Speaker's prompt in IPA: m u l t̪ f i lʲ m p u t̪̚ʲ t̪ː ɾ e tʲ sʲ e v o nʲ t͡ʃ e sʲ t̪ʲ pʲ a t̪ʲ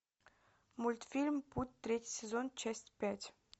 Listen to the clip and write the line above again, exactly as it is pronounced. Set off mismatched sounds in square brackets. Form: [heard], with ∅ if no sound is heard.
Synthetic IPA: m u l t̪ f i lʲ m p u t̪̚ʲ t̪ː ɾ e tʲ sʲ e [z] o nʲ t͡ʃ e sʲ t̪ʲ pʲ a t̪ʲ